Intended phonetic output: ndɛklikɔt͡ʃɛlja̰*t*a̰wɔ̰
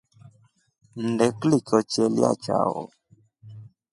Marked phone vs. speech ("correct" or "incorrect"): incorrect